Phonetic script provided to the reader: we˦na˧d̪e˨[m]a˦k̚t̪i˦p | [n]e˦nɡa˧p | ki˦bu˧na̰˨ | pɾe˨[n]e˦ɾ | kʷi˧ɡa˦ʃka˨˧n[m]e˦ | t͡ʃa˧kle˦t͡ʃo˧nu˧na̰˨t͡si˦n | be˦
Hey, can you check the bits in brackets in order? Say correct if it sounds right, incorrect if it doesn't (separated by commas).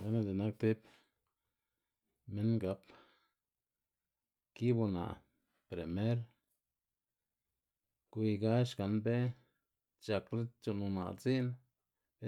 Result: incorrect, incorrect, incorrect, incorrect